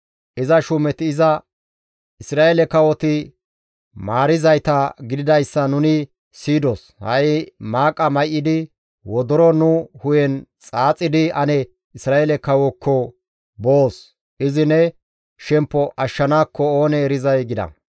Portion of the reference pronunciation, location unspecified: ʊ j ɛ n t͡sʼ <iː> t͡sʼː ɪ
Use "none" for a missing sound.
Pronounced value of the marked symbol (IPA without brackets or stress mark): aː